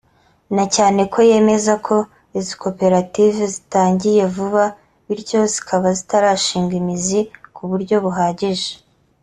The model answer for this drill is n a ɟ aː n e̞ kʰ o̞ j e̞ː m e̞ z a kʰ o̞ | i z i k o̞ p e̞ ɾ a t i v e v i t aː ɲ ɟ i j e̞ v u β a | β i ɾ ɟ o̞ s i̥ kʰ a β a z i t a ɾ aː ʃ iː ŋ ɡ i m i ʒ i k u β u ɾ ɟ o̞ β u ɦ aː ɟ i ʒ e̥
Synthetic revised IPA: n a c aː n e̞ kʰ o̞ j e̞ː m e̞ z a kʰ o̞ | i z i k o̞ p e̞ ɾ a t i v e z i t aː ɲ ɟ i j e̞ v u β a | β i ɾ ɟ o̞ z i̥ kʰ a β a z i t a ɾ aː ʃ iː ŋ ɡ i m i z i k u β u ɾ ɟ o̞ β u ɦ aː ɟ i ʒ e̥